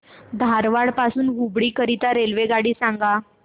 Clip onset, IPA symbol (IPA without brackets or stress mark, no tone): d̪ʱ